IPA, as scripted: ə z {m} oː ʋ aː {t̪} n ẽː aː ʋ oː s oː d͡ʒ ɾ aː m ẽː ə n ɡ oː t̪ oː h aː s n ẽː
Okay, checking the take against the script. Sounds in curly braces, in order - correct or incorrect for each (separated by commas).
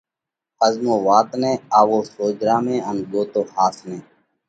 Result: correct, correct